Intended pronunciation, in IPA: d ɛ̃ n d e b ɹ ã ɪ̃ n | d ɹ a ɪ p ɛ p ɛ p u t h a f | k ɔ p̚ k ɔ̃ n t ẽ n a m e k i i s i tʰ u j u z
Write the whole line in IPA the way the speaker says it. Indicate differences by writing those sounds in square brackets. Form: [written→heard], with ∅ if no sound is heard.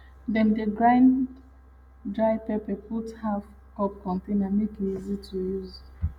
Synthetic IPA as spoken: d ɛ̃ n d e [b→ɡ] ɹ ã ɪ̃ n | d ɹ a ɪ p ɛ p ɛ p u t h a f | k ɔ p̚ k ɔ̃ n t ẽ n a m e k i i [s→z] i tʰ u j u z